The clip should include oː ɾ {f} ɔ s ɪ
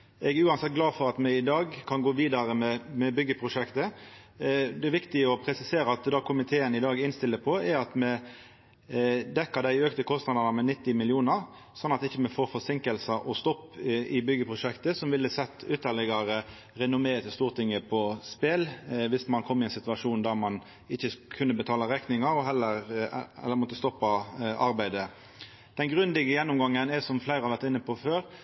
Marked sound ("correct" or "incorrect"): correct